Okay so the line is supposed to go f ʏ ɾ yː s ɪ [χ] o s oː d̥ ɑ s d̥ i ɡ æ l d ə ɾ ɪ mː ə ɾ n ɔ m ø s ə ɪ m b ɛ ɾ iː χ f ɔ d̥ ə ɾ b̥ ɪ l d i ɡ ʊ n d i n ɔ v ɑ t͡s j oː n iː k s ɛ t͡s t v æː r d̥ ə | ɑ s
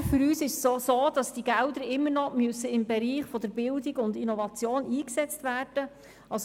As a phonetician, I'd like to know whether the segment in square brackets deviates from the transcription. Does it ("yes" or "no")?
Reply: yes